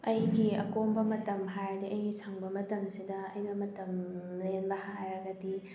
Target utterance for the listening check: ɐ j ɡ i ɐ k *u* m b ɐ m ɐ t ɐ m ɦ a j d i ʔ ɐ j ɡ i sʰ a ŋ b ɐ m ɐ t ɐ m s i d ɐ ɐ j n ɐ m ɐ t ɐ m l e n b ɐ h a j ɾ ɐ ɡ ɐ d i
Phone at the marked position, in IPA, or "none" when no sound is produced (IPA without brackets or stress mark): o